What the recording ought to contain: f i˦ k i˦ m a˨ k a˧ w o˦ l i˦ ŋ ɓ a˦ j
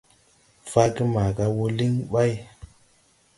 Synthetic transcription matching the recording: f a˦ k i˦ m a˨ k a˧ w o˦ l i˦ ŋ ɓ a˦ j

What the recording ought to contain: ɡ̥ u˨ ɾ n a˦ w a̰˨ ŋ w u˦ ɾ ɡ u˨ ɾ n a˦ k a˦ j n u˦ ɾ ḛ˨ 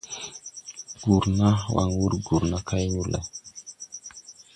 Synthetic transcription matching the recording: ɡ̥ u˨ ɾ n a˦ w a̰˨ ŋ w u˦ ɾ ɡ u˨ ɾ n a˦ k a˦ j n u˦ l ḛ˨

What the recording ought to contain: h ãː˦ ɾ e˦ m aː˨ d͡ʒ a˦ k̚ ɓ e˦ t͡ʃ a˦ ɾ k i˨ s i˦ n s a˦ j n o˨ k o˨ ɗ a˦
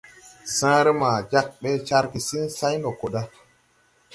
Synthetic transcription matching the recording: s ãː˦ ɾ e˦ m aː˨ d͡ʒ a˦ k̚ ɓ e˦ t͡ʃ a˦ ɾ k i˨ s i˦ n s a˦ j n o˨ k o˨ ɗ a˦

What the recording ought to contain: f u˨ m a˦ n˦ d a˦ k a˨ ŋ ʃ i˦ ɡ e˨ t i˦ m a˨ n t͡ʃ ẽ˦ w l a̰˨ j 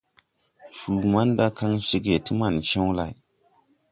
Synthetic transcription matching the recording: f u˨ m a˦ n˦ d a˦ k a˦ ŋ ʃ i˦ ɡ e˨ t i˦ m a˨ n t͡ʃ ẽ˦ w l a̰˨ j

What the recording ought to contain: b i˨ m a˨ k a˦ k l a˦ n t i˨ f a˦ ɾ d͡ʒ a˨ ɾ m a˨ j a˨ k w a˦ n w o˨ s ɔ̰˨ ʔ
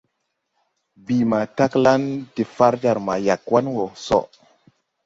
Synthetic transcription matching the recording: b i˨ m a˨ t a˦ k l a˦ n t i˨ f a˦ ɾ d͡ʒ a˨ ɾ m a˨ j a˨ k w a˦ n w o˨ s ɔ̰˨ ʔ

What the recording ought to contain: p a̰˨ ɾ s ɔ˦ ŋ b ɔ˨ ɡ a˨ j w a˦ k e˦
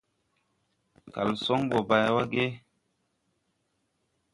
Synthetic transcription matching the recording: k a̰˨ l s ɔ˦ ŋ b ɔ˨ b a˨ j w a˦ ɡ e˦

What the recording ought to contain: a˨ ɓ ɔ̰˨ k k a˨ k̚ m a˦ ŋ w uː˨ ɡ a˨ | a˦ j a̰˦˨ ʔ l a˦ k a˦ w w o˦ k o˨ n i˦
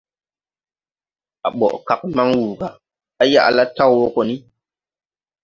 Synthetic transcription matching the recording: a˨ ɓ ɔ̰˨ ʔ k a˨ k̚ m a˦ ŋ w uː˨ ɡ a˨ | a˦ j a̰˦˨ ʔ l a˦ t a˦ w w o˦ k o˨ n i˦

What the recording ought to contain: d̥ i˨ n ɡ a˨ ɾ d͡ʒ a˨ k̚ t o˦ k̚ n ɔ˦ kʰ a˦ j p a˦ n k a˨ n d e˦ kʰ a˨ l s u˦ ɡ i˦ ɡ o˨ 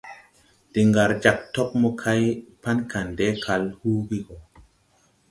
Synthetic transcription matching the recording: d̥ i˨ ŋ ɡ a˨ ɾ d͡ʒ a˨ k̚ t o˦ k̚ m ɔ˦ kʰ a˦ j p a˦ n k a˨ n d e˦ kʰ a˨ l h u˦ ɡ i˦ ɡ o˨

